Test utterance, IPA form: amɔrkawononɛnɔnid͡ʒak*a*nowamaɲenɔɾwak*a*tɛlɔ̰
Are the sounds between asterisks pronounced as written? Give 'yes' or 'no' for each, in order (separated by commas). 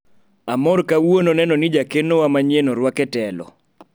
no, no